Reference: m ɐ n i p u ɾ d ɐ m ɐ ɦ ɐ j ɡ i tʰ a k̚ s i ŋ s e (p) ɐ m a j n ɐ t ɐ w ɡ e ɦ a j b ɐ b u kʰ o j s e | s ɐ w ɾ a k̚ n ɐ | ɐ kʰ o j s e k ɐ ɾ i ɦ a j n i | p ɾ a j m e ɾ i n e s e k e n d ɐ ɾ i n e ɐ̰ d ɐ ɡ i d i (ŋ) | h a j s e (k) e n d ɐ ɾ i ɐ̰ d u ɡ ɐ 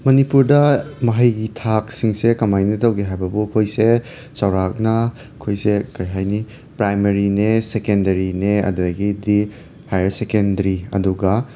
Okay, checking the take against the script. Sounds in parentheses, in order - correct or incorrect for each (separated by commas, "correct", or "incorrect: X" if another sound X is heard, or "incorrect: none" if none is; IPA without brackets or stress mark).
incorrect: k, incorrect: none, correct